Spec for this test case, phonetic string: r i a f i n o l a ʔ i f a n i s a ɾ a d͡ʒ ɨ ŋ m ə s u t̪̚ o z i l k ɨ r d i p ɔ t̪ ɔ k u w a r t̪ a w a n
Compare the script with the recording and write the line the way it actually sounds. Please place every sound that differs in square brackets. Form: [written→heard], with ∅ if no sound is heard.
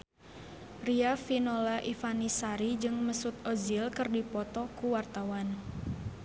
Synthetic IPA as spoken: r i a f i n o l a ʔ i f a n i s a ɾ [a→i] d͡ʒ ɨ ŋ m ə s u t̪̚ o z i l k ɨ r d i p ɔ t̪ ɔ k u w a r t̪ a w a n

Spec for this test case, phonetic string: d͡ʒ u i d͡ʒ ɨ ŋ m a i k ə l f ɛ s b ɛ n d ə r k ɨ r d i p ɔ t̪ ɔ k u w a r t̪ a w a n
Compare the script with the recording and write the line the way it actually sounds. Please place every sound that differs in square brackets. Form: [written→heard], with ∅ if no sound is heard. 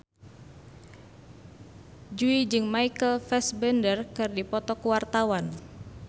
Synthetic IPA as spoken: d͡ʒ u i d͡ʒ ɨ ŋ m a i k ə l f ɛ s b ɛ n d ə r k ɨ r d i p ɔ t̪ ɔ k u w a r t̪ a w a n

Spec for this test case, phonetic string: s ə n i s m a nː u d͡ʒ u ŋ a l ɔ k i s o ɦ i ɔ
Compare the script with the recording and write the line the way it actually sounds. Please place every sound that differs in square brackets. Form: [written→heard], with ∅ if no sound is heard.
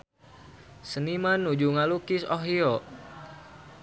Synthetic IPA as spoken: s ə n i [s→∅] m a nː u d͡ʒ u ŋ a l [ɔ→u] k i s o ɦ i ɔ

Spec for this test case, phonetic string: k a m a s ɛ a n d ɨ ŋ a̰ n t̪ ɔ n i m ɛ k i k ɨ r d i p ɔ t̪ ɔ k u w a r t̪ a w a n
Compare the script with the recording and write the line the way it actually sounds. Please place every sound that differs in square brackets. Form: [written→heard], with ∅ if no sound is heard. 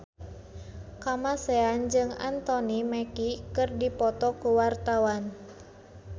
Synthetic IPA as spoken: k a m a s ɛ a n [d→d͡ʒ] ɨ ŋ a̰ n t̪ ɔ n i m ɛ k i k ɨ r d i p ɔ t̪ ɔ k u w a r t̪ a w a n

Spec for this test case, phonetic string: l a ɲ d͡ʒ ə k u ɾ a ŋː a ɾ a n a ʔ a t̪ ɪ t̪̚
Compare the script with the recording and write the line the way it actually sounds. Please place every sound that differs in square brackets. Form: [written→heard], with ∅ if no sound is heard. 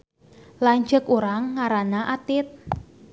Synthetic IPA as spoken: l a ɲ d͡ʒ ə k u ɾ a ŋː a ɾ a n a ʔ a t̪ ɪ t̪̚

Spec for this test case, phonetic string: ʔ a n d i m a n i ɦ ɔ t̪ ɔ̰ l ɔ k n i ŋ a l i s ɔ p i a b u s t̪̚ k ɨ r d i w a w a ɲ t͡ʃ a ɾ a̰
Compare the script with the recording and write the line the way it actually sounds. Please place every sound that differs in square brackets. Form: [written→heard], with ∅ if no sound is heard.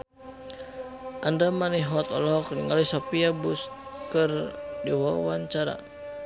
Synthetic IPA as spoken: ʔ a n d [i→a] m a n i ɦ ɔ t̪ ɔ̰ l ɔ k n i ŋ a l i s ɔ p i a b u s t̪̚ k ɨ r d i w a w a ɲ t͡ʃ a ɾ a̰

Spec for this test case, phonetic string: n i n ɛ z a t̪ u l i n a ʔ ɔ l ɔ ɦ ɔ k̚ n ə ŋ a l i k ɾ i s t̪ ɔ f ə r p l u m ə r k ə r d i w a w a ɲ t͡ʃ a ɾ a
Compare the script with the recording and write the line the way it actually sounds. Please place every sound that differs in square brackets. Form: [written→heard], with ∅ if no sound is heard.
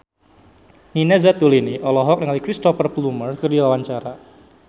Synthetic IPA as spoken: n i n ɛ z a t̪ u l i n [a→i] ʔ ɔ l ɔ ɦ ɔ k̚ n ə ŋ a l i k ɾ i s t̪ ɔ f ə r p l u m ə r k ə r d i w a w a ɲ t͡ʃ a ɾ a

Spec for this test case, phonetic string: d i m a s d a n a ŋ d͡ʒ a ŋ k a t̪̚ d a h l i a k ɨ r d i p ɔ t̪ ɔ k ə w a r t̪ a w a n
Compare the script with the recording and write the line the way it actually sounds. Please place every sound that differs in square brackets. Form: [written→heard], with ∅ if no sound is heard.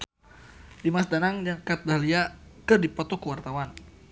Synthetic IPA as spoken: d i m a s d a n a ŋ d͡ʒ a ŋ k a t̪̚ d a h l i a k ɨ r d i p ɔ t̪ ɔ k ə w a r t̪ a w a n

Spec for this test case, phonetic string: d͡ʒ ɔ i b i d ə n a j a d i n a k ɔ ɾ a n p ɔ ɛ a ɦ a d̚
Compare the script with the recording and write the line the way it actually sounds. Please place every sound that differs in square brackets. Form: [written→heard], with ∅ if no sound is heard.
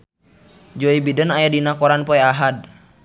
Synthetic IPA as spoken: d͡ʒ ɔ i b i d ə n a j a d i n a k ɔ ɾ a n p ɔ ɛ a ɦ a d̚

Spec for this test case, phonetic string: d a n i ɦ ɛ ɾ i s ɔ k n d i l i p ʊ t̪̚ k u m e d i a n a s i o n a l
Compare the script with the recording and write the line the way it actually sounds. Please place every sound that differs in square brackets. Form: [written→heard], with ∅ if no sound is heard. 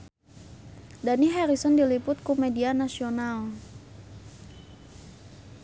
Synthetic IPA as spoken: d a n i ɦ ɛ ɾ i s ɔ [k→∅] n d i l i p ʊ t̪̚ k u m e d i a n a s i o n a l

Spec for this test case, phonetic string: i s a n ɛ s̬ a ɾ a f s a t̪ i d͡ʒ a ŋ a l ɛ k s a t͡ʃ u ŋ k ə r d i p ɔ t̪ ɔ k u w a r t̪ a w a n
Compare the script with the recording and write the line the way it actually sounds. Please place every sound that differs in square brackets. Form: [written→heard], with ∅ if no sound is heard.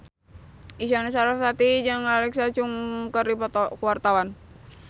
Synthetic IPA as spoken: i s a n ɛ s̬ a ɾ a f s a t̪ i d͡ʒ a ŋ a l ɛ k s a t͡ʃ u ŋ k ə r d i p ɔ t̪ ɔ k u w a r t̪ a w a n

